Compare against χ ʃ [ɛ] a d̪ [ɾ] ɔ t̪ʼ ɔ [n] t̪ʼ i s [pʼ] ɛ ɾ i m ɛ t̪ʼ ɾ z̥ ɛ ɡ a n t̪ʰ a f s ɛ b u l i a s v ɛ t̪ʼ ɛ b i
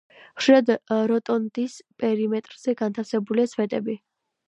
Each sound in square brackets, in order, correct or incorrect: incorrect: i, correct, correct, correct

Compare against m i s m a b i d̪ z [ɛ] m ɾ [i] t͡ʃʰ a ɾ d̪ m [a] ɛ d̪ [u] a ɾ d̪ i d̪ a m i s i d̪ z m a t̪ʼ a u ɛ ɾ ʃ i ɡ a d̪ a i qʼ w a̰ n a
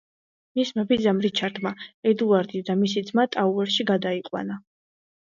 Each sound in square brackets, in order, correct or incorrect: incorrect: a, correct, correct, correct

